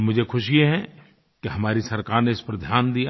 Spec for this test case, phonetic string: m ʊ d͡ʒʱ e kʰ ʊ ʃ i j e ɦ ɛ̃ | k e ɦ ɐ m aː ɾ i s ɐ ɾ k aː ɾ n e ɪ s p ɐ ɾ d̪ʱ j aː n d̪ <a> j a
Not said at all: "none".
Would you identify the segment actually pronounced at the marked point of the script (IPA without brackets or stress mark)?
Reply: i